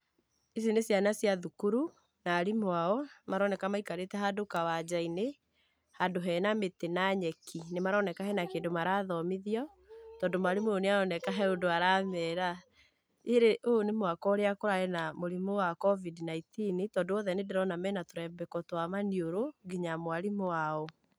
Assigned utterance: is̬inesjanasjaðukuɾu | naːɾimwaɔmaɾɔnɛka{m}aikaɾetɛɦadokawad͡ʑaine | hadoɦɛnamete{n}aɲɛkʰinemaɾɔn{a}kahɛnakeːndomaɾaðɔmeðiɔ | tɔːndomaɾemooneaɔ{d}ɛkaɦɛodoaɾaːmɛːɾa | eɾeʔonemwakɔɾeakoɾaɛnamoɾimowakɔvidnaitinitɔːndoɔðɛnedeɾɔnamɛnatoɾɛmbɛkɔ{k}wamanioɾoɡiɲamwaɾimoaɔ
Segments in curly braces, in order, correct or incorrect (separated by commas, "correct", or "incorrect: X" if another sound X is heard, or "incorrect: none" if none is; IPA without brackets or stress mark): correct, correct, incorrect: ɛ, incorrect: n, incorrect: t